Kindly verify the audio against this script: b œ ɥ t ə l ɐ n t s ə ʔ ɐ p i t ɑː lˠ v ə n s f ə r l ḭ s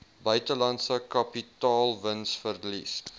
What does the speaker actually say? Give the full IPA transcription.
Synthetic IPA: b œ ɥ t ə l ɐ n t s ə k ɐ p i t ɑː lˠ v ə n s f ə r l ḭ s